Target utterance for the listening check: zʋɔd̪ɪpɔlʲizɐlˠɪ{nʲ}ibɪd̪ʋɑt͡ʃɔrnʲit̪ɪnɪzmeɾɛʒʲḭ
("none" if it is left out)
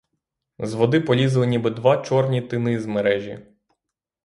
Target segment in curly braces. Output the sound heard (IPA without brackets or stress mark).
nʲ